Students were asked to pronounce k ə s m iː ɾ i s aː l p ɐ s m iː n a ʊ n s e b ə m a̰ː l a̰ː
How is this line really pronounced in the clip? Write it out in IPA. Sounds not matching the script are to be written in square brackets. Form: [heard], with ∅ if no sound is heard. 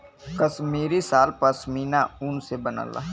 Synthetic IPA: k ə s m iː ɾ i s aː l p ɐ s m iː n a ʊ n s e b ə [n] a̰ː l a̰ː